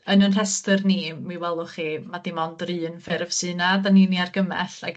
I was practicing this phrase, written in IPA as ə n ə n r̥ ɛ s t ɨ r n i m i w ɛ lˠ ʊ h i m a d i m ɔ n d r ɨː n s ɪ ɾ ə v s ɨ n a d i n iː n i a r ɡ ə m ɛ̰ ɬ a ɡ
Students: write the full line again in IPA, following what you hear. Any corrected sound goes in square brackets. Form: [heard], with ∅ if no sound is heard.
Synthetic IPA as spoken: ə n ə n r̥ ɛ s t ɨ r n i m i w ɛ lˠ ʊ [χ] i m a d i m ɔ n d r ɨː n [f] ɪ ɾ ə v s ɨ n a d [a] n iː n i a r ɡ ə m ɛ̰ ɬ a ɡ